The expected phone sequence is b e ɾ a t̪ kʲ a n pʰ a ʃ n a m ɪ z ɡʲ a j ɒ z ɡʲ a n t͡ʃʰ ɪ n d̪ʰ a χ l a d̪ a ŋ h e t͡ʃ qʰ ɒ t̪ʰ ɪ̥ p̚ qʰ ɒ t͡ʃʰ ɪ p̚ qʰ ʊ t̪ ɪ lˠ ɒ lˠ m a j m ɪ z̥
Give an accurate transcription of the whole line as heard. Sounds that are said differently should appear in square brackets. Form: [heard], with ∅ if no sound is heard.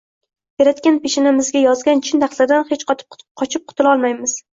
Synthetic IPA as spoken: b e ɾ a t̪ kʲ a n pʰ [e] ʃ n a m ɪ z ɡʲ a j ɒ z ɡʲ a n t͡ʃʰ ɪ n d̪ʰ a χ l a d̪ a [n] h e t͡ʃ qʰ ɒ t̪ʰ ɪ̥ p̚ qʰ ɒ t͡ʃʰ ɪ p̚ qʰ ʊ t̪ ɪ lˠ ɒ lˠ m a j m ɪ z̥